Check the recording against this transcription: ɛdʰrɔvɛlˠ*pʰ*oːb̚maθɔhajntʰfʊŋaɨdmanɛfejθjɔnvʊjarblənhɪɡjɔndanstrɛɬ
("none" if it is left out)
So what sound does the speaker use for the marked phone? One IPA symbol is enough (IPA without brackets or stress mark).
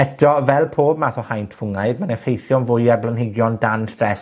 pʰ